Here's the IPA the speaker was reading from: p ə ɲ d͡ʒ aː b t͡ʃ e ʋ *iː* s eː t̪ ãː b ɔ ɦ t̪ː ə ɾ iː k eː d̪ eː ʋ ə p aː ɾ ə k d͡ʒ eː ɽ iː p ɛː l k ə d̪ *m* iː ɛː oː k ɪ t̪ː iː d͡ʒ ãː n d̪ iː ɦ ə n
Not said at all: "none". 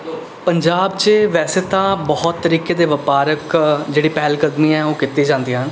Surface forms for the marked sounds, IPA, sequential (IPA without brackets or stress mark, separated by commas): ɛː, m